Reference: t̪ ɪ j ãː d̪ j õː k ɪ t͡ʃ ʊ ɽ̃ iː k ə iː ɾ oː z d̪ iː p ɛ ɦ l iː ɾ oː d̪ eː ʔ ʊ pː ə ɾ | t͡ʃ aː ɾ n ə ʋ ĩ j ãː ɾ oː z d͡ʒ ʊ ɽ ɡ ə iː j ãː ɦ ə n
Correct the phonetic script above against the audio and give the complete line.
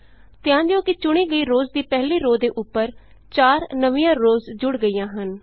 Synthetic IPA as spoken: t̪ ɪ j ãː d̪ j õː k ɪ t͡ʃ ʊ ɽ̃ iː ɡ ə iː ɾ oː z d̪ iː p ɛ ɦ l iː ɾ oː d̪ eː ʔ ʊ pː ə ɾ | t͡ʃ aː ɾ n ə ʋ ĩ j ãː ɾ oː z d͡ʒ ʊ ɽ ɡ ə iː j ãː ɦ ə n

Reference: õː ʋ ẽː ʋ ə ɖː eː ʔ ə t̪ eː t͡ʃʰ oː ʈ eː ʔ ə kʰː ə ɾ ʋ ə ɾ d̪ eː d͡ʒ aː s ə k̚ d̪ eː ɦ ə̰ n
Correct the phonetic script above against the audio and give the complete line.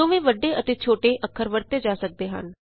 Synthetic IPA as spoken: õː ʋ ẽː ʋ ə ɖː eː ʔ ə t̪ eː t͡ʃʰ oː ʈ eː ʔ ə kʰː ə ɾ ʋ ə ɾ t̪ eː d͡ʒ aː s ə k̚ d̪ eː ɦ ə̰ n

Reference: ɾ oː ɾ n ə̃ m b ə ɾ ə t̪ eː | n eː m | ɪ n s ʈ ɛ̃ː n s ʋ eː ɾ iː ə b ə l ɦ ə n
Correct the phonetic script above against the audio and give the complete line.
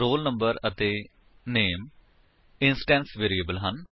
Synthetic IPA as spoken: ɾ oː l n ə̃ m b ə ɾ ə t̪ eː | n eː m | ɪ n s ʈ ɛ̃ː n s ʋ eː ɾ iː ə b ə l ɦ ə n

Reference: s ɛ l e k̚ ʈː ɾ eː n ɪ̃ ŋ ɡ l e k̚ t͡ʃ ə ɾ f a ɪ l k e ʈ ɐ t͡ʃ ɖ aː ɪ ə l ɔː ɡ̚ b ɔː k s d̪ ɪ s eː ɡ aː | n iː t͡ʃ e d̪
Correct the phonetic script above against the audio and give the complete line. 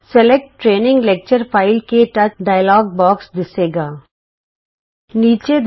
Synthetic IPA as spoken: s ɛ l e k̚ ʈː ɾ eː n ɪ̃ ŋ ɡ l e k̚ t͡ʃ ə ɾ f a ɪ l k e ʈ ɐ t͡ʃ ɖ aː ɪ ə l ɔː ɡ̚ b ɔː k s d̪ ɪ s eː ɡ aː | n iː t͡ʃ e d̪

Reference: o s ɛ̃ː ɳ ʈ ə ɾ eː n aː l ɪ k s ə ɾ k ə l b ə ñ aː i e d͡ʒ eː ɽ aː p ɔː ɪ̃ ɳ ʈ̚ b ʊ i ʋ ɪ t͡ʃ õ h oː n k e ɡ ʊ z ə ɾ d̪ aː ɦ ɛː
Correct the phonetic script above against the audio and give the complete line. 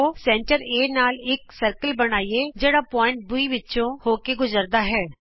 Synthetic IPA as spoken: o s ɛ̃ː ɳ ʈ ə ɾ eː n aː l ɪ k s ə ɾ k ə l b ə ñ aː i e d͡ʒ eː ɽ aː p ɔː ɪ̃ ɳ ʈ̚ b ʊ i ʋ ɪ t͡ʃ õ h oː k e ɡ ʊ z ə ɾ d̪ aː ɦ ɛː

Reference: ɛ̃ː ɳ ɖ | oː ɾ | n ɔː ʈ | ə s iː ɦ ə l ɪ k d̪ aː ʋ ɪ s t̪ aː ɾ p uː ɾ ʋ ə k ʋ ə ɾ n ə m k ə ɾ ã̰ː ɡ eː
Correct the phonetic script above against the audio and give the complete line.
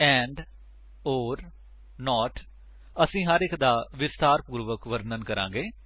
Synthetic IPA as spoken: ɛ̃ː ɳ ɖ | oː ɾ | n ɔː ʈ | ə s ĩː ɦ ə ɾ ɪ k d̪ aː ʋ ɪ s t̪ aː ɾ p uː ɾ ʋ ə k ʋ ə ɾ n ə n k ə ɾ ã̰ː ɡ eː

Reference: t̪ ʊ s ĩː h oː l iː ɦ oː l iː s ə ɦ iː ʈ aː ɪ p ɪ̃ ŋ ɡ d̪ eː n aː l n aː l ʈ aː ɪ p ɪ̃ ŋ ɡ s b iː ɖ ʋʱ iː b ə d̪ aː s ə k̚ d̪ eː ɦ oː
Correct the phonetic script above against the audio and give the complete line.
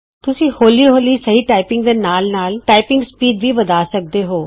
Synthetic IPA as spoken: t̪ ʊ s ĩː h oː l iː ɦ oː l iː s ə ɦ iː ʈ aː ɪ p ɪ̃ ŋ ɡ d̪ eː n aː l n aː l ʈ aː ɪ p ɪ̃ ŋ ɡ s p iː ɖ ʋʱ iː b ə d̪ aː s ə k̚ d̪ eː ɦ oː

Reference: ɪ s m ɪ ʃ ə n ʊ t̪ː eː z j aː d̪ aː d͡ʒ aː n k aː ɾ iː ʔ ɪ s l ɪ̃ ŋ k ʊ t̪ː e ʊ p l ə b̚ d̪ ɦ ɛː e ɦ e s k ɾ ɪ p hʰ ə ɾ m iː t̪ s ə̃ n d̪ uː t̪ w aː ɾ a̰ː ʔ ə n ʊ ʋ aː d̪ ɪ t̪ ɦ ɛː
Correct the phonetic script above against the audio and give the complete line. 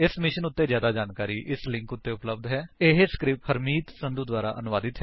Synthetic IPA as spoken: ɪ s m ɪ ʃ ə n ʊ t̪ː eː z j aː d̪ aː d͡ʒ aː n k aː ɾ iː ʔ ɪ s l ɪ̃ ŋ k ʊ t̪ː e ʊ p l ə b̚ d̪ ɦ ɛː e ɦ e s k ɾ ɪ p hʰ ə ɾ m iː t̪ s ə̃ n d̪ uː d̪ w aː ɾ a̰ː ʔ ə n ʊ ʋ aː d̪ ɪ t̪ ɦ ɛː

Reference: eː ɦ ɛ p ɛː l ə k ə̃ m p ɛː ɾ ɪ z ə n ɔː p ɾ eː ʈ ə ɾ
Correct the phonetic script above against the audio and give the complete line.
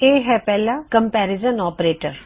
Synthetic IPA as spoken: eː ɦ ɛ p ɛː l a k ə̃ m p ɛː ɾ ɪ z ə n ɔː p ɾ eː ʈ ə ɾ

